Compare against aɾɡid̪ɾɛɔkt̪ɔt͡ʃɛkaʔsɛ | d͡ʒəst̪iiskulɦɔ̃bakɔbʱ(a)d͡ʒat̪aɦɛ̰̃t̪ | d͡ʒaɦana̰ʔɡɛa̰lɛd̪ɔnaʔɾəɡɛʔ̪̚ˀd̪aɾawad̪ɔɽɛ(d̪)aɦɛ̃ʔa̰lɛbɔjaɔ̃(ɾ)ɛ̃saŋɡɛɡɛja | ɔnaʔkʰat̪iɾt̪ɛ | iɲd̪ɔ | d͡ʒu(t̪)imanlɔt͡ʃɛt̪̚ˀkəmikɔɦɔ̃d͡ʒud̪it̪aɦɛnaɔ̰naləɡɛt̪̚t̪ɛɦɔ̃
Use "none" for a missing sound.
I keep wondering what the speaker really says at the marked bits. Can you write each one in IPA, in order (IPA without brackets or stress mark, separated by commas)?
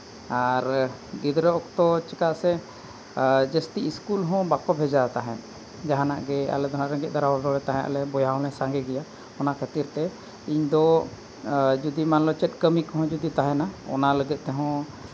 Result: ɛ, t̪, l, d̪